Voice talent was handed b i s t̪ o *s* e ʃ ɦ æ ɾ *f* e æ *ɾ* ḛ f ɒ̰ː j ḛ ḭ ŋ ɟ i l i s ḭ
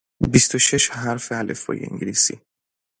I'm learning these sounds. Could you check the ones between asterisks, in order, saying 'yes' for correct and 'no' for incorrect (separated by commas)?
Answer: no, yes, no